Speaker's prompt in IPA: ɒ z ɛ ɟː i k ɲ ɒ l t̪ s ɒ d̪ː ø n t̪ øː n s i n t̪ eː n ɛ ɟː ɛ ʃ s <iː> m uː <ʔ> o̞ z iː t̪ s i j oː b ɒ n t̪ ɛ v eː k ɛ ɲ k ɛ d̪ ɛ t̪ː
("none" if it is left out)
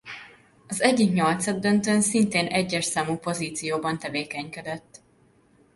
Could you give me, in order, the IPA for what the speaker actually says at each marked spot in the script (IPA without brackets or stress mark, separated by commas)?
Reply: aː, p